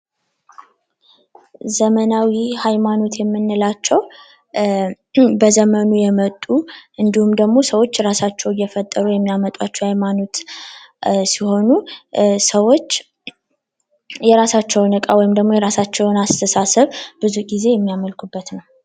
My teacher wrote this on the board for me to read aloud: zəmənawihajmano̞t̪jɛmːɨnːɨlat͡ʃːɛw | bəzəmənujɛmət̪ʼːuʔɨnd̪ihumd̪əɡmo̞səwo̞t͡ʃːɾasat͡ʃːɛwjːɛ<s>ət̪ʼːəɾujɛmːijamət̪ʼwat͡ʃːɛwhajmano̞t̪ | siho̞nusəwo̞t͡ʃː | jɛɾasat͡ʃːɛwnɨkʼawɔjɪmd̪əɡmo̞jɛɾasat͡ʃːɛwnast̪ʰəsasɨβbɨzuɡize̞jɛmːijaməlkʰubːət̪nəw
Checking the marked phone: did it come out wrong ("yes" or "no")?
yes